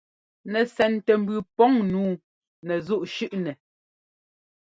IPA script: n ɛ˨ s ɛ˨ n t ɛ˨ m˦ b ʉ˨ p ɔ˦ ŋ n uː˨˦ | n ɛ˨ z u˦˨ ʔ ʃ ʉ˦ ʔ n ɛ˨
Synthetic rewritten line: n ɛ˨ s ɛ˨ n t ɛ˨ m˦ b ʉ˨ p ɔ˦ ŋ n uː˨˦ | n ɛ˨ z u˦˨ ʔ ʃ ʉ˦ ʔ n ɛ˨